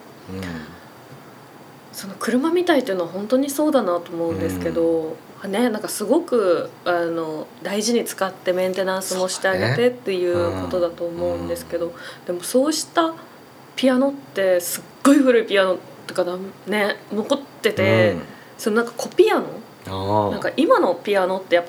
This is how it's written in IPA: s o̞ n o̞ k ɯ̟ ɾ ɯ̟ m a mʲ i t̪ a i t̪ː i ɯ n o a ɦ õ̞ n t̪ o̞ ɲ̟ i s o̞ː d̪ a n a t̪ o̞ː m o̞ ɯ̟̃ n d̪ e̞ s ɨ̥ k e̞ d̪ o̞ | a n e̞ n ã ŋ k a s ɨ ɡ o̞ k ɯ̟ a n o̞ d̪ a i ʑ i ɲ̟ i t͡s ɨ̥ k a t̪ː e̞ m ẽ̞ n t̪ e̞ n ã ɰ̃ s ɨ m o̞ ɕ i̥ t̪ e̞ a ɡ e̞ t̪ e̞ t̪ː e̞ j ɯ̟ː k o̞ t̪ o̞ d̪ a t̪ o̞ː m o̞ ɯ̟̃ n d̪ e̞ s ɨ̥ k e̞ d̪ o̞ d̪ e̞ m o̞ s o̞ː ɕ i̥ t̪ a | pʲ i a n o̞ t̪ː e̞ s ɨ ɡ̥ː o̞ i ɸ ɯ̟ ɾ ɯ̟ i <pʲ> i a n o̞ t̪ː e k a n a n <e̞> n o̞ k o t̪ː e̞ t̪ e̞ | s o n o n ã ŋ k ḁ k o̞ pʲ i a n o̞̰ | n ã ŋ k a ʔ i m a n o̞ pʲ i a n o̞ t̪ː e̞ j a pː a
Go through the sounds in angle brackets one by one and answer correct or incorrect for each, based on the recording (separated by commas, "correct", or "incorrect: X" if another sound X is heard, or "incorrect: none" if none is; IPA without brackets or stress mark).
correct, correct